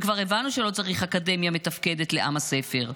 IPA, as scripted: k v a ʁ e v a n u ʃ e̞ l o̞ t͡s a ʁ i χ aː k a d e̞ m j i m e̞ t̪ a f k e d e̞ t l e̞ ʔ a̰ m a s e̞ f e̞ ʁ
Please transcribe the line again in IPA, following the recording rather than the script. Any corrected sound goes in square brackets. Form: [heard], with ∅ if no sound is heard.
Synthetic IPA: k v a ʁ e v a n u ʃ e̞ l o̞ t͡s a ʁ i χ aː k a d e̞ m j [a] m e̞ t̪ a f k e d e̞ t l e̞ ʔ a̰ m a s e̞ f e̞ ʁ